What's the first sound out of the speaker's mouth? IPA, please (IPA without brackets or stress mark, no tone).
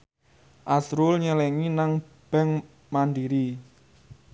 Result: ʔ